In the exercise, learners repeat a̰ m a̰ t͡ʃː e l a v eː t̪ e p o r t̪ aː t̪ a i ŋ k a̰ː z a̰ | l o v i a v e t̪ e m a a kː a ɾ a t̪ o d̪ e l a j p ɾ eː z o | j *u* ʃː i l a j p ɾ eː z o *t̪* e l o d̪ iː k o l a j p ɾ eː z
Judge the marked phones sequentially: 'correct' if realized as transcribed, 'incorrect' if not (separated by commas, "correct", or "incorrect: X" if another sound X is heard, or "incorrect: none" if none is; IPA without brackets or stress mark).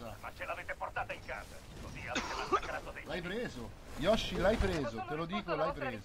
incorrect: ɔ, correct